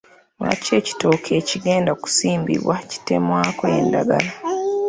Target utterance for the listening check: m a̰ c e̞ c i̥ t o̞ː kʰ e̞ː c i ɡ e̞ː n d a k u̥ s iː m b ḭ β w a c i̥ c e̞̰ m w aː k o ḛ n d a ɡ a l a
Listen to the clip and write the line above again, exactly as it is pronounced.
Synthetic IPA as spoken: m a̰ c e̞ c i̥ t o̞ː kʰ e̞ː c i ɡ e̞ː n d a k u̥ s iː m b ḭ β w a c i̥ t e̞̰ m w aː k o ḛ n d a ɡ a l a